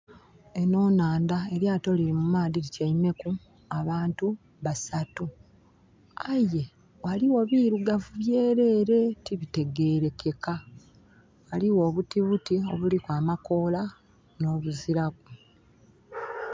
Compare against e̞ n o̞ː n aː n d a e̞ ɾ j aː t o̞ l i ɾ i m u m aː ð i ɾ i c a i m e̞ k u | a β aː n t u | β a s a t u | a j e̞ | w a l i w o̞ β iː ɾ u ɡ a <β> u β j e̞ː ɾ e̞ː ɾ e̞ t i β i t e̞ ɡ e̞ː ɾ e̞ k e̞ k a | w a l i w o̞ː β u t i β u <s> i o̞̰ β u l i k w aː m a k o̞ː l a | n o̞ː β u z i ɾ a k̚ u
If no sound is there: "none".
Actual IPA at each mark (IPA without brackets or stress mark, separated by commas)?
v, t